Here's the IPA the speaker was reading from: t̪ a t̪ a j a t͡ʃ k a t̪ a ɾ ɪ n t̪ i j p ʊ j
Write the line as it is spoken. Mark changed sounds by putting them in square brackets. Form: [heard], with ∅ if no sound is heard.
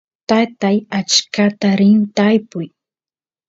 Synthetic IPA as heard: t̪ a t̪ a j a t͡ʃ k a t̪ a ɾ ɪ n t̪ [a] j p ʊ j